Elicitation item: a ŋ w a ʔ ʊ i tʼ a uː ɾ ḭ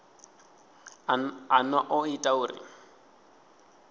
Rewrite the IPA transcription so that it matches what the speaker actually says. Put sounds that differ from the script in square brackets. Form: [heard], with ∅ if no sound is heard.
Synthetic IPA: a [n] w a ʔ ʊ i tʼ a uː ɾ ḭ